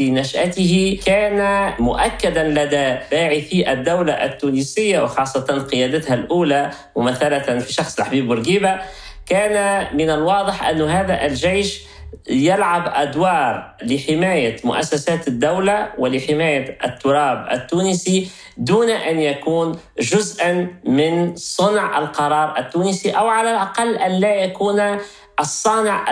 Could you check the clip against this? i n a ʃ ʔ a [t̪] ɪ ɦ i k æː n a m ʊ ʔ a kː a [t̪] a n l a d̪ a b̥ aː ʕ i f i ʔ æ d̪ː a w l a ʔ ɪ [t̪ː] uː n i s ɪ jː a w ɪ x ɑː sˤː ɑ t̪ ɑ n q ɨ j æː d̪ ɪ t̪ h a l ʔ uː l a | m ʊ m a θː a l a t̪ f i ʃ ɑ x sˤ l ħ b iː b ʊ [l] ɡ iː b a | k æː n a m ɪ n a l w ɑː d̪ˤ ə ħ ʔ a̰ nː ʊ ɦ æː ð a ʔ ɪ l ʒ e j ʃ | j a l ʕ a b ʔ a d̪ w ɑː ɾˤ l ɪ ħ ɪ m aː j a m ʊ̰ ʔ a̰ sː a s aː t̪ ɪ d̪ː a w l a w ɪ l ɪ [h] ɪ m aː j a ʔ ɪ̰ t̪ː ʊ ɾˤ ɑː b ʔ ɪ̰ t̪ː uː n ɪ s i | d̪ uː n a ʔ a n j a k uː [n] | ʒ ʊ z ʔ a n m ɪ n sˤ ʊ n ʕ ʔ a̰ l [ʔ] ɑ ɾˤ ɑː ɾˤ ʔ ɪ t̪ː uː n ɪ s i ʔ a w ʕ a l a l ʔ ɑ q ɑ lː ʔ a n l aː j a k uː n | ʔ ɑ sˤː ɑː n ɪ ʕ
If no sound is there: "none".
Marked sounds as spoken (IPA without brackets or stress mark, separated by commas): t̪, d̪, t̪ː, ɾ, ħ, n, q